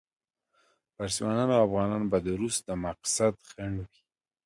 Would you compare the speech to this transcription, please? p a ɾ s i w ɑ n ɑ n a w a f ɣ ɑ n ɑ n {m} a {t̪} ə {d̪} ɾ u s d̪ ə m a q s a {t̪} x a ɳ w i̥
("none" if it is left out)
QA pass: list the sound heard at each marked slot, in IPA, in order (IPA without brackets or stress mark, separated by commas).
b, d̪, none, d̪